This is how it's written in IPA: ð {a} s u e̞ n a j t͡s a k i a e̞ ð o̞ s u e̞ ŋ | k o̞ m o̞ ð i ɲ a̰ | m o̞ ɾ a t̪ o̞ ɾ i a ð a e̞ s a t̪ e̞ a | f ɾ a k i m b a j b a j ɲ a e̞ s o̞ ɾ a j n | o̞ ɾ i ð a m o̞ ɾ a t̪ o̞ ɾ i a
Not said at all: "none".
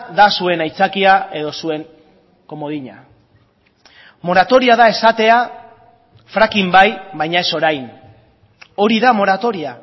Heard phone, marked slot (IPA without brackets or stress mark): a